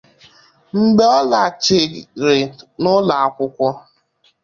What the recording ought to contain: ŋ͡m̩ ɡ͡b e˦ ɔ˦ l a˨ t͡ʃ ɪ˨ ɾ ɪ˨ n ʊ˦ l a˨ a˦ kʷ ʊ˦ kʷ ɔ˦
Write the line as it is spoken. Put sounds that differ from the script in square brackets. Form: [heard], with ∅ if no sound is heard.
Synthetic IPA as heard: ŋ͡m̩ ɡ͡b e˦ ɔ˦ l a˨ t͡ʃ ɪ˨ ɾ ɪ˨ n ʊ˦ l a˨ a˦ kʷ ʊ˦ kʷ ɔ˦